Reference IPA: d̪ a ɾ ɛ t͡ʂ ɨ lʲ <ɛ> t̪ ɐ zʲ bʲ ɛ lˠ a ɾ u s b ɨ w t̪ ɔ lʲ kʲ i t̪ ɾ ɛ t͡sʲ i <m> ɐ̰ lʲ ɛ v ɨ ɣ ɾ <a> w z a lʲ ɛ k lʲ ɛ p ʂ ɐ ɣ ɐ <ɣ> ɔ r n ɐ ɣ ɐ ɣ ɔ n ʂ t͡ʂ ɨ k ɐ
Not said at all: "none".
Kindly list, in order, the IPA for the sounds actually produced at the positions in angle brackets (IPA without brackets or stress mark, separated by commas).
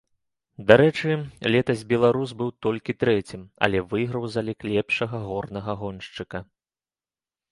ɛ, m, ɐ, ɣ